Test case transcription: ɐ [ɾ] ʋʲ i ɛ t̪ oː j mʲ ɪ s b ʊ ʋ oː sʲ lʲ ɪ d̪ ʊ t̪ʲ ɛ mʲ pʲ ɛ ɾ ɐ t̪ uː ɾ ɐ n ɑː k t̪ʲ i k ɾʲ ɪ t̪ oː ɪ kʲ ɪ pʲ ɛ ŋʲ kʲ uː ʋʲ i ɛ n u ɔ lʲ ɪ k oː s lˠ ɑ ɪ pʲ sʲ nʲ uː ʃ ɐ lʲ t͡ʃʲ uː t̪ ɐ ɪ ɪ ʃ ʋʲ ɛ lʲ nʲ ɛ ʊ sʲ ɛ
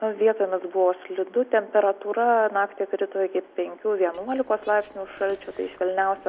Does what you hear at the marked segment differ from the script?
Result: yes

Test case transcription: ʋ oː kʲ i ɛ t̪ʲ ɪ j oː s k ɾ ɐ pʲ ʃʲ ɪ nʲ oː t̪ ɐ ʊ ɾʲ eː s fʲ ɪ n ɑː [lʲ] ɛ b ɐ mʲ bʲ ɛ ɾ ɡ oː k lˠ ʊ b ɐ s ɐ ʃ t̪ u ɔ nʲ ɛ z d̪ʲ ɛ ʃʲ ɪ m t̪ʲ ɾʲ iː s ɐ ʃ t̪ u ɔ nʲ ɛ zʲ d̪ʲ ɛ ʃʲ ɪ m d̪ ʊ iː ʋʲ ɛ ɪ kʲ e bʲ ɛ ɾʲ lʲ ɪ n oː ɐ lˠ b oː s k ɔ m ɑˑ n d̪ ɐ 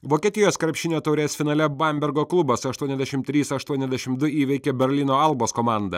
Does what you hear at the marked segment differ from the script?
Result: no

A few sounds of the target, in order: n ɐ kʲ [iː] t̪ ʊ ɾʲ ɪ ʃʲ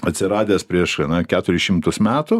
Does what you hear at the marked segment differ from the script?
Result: yes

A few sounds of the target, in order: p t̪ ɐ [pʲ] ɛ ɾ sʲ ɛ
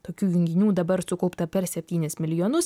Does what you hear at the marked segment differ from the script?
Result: no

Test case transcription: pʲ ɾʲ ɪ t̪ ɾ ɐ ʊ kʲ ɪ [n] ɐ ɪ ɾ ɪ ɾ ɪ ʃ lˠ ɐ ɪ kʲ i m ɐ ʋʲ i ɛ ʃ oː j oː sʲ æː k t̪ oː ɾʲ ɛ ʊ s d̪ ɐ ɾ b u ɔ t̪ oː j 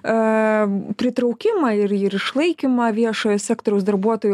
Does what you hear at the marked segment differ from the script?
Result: yes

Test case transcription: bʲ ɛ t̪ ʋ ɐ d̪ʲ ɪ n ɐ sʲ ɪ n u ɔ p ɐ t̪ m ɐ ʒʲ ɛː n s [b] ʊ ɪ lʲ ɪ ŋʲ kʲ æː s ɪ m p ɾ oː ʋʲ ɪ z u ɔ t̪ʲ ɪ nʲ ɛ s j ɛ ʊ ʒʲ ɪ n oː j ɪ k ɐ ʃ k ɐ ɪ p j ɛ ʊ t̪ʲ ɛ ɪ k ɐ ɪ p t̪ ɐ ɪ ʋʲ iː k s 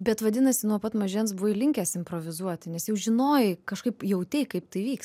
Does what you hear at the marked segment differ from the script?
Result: no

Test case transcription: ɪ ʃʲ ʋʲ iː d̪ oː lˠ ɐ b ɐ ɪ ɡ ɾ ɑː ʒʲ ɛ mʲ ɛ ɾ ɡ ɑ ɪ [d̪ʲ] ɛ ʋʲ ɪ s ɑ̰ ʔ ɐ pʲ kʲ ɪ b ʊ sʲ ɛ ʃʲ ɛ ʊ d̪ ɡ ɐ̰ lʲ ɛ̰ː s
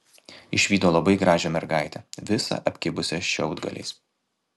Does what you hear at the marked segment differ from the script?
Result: yes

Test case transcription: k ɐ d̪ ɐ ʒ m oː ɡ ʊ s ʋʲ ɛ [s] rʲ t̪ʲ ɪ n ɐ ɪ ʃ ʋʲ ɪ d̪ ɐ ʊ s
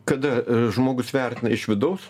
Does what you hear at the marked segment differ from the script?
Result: yes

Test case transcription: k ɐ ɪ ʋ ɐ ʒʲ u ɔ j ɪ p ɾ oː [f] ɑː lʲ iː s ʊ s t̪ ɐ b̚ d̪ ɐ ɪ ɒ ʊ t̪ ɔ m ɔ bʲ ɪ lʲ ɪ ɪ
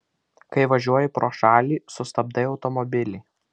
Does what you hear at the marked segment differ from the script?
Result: yes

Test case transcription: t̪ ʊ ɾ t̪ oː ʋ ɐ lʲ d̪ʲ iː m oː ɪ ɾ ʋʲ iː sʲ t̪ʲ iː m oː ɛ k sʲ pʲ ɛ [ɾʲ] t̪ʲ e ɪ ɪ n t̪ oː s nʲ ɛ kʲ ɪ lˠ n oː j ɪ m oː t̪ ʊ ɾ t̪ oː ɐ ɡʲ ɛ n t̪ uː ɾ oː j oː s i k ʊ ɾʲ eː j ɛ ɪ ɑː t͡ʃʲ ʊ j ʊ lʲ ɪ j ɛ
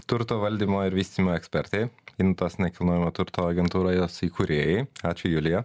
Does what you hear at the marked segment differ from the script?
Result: no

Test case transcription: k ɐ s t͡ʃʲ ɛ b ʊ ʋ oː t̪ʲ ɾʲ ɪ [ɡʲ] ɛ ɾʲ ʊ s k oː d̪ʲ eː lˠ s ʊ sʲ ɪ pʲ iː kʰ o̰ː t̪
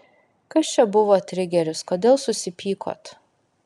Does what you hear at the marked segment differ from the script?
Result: no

